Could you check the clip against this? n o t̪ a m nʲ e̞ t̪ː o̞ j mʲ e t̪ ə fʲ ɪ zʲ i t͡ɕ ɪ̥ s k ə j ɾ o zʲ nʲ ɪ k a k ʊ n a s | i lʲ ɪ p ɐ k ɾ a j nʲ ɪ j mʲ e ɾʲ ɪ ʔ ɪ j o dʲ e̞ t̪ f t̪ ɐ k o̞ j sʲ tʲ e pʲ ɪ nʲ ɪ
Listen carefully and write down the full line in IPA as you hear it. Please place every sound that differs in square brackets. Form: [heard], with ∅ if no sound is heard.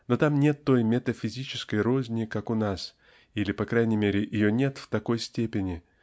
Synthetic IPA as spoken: n o t̪ a m nʲ e̞ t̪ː o̞ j mʲ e t̪ ə fʲ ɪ zʲ i t͡ɕ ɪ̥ s k ə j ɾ o zʲ nʲ ɪ k a k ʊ n a s | i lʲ ɪ p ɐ k ɾ a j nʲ ɪ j mʲ e ɾʲ ɪ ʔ ɪ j o [nʲ] e̞ t̪ f t̪ ɐ k o̞ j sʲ tʲ e pʲ ɪ nʲ ɪ